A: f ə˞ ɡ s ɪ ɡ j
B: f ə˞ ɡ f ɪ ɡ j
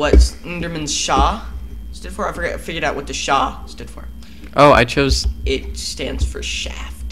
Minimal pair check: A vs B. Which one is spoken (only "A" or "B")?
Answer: B